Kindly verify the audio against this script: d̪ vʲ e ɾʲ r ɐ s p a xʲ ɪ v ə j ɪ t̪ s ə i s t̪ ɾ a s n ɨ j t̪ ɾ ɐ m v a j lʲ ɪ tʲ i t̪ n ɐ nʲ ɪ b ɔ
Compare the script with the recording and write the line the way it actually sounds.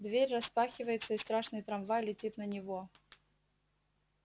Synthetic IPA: d̪ vʲ e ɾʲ r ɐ s p a xʲ ɪ v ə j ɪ t̪ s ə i s t̪ ɾ a ʂ n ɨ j t̪ ɾ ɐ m v a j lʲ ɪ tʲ i t̪ n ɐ nʲ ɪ v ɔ